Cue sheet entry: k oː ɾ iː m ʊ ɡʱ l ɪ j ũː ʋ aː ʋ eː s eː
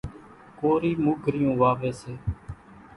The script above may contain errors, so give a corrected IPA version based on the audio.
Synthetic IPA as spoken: k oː ɾ iː m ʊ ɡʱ ɾ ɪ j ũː ʋ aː ʋ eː s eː